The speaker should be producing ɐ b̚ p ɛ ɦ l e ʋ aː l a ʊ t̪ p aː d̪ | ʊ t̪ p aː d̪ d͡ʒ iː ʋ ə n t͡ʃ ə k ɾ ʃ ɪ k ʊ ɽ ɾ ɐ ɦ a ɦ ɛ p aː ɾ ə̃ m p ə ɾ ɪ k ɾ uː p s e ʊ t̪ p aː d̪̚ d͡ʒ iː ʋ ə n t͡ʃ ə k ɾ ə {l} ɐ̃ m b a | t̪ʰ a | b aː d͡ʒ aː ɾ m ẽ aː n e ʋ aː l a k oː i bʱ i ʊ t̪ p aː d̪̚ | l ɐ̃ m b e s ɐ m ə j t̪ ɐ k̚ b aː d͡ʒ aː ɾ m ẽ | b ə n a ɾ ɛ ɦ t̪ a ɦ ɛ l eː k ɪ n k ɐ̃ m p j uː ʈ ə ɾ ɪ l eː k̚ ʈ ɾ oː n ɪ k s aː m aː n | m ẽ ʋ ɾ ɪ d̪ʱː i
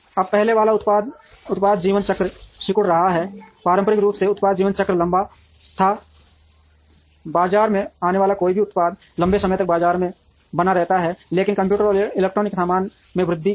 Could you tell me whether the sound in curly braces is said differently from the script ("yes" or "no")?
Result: no